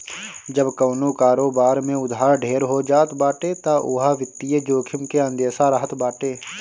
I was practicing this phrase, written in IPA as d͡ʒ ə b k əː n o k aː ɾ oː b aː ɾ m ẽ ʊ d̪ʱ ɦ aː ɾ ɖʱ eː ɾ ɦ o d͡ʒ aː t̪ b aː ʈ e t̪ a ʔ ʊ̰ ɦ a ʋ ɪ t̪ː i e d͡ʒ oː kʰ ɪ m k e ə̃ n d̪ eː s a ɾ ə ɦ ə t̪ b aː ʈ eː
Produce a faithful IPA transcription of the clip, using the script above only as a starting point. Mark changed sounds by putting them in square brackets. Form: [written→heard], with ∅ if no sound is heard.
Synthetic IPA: d͡ʒ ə b k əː n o k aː ɾ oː b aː ɾ m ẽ ʊ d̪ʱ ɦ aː ɾ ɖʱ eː ɾ ɦ o d͡ʒ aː t̪ b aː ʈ e t̪ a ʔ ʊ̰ ɦ a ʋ ɪ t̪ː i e d͡ʒ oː kʰ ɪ m k e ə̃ n d̪ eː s a ɾ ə ɦ ə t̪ b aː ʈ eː